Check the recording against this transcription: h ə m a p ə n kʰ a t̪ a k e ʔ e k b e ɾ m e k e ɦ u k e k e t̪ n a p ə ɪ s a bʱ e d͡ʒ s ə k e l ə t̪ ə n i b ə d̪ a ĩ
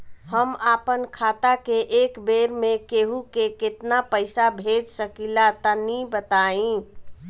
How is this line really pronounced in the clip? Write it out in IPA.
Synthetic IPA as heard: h ə m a p ə n kʰ a t̪ a k e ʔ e k b e ɾ m e k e ɦ u k e k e t̪ n a p ə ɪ s a bʱ e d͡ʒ s ə k i l a t̪ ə n i b ə t̪ a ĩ